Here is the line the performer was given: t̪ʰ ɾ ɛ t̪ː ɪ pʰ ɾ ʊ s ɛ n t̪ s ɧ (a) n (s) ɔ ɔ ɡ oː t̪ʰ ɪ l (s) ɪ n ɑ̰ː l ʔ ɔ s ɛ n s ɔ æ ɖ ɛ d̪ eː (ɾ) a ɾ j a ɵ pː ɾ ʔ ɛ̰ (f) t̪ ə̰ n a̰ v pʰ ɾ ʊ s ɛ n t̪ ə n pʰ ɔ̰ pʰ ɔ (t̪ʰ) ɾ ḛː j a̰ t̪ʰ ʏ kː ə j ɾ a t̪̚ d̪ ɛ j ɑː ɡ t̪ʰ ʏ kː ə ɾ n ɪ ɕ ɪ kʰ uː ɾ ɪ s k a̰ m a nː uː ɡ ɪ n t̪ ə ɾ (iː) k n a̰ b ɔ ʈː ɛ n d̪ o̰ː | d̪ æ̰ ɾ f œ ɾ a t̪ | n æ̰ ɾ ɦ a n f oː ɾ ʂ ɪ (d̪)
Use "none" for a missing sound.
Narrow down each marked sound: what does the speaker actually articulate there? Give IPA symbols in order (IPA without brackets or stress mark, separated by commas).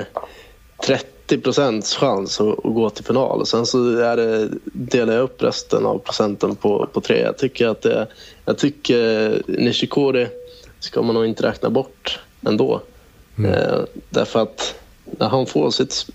a, s, f, l, s, t̪ʰ, ɛː, t̪